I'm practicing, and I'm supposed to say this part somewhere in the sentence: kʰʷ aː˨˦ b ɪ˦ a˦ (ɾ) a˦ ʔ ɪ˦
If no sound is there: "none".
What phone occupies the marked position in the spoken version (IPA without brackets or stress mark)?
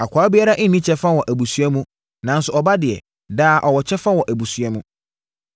ɾ